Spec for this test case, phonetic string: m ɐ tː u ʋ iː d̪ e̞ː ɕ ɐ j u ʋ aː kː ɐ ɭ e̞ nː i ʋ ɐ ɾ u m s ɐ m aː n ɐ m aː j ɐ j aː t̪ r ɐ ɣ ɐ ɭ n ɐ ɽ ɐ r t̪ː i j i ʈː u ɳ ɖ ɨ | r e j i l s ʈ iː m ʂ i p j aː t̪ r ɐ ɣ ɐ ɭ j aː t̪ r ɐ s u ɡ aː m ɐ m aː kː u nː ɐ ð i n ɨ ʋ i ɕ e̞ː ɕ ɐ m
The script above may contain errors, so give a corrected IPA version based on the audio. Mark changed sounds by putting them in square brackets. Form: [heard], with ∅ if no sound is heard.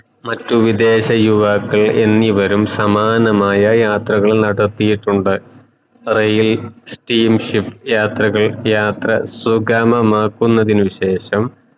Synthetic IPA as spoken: m ɐ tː u ʋ [i] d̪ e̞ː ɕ ɐ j u ʋ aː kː ɐ ɭ e̞ nː i ʋ ɐ ɾ u m s ɐ m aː n ɐ m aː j ɐ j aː t̪ r ɐ ɣ ɐ ɭ n ɐ ɽ ɐ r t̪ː i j i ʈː u ɳ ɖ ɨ | r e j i l s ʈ iː m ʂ i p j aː t̪ r ɐ ɣ ɐ ɭ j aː t̪ r ɐ s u ɡ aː m ɐ m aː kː u nː ɐ ð i n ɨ ʋ i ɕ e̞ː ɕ ɐ m